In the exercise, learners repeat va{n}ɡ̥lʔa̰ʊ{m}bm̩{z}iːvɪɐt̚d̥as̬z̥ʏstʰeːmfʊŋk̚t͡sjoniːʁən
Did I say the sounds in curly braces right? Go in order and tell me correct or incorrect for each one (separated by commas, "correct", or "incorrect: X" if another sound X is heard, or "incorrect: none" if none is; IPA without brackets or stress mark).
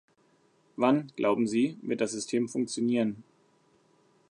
correct, incorrect: none, correct